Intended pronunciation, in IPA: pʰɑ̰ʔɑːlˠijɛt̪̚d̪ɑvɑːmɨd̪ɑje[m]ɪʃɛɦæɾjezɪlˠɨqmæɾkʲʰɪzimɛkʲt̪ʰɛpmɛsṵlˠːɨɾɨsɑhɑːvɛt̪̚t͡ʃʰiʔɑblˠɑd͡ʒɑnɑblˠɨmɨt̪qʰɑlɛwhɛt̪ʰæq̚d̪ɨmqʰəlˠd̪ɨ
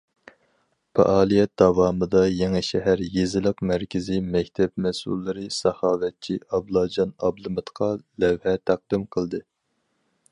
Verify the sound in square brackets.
incorrect: ŋ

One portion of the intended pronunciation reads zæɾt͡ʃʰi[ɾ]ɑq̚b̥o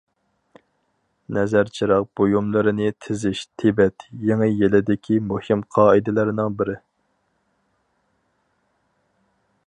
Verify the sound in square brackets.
correct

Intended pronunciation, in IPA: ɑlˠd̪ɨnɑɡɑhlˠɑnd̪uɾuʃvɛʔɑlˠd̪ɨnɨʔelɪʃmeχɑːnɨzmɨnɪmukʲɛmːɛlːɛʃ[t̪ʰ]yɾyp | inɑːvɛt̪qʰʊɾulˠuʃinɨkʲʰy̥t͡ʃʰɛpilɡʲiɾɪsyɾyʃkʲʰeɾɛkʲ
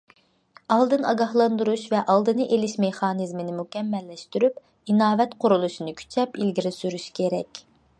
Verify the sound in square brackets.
incorrect: t̪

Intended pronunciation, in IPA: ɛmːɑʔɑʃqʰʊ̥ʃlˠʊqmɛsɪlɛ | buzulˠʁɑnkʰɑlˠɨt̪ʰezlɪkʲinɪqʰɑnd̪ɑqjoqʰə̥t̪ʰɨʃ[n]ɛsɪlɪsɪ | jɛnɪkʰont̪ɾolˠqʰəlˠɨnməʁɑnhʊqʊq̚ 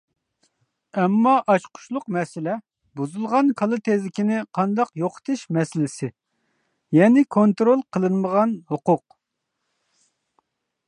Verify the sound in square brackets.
incorrect: m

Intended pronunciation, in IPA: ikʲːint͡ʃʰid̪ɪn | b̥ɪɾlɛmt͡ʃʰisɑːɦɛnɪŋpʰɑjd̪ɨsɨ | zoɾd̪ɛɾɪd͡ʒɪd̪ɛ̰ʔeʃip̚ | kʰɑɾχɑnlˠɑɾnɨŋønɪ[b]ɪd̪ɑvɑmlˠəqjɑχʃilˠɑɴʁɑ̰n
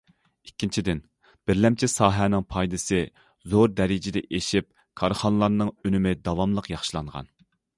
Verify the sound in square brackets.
incorrect: m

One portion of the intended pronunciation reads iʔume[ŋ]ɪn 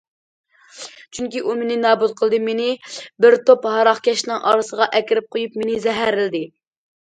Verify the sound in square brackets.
incorrect: n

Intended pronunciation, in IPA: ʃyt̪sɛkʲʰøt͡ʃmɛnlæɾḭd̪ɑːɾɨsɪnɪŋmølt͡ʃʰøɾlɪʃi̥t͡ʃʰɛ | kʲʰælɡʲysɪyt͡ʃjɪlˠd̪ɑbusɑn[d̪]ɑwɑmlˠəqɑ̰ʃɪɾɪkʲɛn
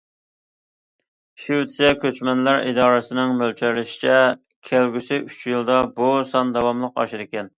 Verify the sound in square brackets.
correct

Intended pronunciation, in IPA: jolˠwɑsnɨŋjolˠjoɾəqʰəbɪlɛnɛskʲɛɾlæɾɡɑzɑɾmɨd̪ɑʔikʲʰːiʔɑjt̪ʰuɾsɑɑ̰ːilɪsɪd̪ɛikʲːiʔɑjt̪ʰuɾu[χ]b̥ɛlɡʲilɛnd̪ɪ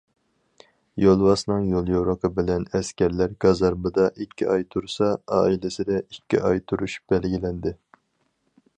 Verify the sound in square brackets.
incorrect: ʃ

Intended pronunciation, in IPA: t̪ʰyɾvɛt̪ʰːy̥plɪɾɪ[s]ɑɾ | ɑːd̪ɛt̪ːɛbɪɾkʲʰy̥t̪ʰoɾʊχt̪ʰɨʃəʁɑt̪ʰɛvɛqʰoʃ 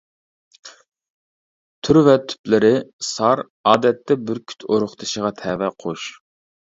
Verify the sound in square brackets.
correct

